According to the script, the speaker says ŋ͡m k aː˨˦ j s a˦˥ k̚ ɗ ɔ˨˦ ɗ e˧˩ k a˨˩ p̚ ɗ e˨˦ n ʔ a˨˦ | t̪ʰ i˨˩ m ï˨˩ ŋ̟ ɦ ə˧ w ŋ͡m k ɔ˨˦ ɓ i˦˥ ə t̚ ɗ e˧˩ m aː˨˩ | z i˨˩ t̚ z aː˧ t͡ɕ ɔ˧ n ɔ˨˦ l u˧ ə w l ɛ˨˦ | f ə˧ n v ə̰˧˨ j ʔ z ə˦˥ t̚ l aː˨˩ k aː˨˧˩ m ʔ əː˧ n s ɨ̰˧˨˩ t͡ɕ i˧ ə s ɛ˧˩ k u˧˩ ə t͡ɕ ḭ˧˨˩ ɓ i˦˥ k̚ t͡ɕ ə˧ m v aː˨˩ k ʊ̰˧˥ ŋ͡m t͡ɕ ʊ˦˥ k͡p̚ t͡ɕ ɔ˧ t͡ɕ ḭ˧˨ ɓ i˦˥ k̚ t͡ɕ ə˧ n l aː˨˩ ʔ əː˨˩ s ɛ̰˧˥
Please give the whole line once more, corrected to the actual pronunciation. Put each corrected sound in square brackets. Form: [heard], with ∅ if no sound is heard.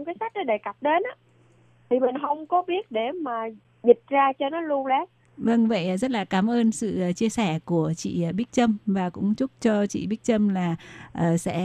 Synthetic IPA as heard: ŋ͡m k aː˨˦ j s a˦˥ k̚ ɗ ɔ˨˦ ɗ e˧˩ k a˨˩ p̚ ɗ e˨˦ n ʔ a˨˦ | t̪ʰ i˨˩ m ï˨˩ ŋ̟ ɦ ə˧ w ŋ͡m k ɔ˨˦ ɓ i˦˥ ə t̚ ɗ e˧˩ m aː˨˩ | z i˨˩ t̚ z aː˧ t͡ɕ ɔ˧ n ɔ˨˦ l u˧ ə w l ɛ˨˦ | [v] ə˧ [ŋ] v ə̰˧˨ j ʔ z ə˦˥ t̚ l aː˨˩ k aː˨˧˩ m ʔ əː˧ n s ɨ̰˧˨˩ t͡ɕ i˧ ə s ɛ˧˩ k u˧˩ ə t͡ɕ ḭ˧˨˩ ɓ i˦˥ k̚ t͡ɕ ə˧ m v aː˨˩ k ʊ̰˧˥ ŋ͡m t͡ɕ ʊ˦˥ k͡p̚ t͡ɕ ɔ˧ t͡ɕ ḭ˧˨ ɓ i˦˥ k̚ t͡ɕ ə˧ [m] l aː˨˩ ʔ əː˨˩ s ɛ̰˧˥